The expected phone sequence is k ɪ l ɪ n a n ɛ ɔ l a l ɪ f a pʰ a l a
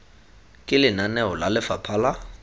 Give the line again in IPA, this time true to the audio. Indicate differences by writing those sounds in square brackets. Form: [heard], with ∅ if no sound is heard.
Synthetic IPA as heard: [kʼ] ɪ l ɪ n a n ɛ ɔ l a l ɪ f a pʰ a l a